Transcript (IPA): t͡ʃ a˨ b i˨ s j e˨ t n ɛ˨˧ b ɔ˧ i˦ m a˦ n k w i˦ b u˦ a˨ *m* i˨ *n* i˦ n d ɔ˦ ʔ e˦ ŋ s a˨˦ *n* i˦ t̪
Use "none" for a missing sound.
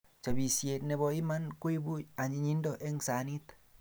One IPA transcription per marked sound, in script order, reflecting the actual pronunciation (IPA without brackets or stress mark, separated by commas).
ɲ, ɲ, n